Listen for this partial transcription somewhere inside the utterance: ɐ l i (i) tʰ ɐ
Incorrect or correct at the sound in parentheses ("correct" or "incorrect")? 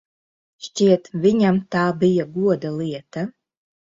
incorrect